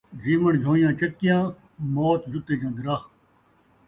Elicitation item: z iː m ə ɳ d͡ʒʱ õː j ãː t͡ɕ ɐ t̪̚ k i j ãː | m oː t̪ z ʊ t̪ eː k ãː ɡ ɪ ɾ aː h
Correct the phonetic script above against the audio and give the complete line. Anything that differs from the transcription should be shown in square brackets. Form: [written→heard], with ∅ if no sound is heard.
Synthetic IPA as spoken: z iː m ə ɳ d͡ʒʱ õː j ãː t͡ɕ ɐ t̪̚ k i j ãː | m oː t̪ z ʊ t̪ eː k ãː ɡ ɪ ɾ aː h